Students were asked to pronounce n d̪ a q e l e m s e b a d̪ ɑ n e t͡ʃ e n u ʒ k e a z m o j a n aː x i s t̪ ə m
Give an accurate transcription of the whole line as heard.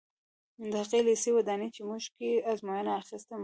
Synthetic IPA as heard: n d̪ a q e l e s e w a d̪ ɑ n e t͡ʃ e m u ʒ k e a z m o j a n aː x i s t̪ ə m